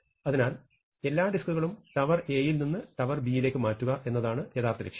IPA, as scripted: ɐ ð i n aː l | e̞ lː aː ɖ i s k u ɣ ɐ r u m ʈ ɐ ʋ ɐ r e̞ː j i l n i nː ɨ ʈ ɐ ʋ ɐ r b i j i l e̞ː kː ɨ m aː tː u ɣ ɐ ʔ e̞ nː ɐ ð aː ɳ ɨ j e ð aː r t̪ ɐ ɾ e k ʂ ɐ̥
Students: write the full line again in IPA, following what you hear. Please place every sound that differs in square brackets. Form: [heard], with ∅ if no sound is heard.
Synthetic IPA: ɐ ð i n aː l | e̞ lː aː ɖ i s k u ɣ ɐ [ɭ] u m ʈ ɐ ʋ ɐ r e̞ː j i l n i nː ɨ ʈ ɐ ʋ ɐ r b i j i l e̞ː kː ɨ m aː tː u ɣ ɐ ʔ e̞ nː ɐ ð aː ɳ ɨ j e ð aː r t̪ ɐ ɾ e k ʂ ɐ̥